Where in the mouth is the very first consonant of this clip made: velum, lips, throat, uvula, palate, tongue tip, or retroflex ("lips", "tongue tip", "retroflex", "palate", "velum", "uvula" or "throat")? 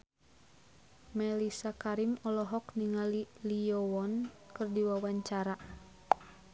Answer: lips